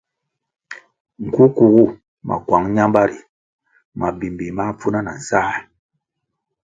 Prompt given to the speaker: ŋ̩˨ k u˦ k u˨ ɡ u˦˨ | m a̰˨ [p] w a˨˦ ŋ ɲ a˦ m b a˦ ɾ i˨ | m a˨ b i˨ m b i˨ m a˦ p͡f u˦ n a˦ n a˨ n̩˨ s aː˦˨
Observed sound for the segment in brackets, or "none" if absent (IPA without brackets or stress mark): k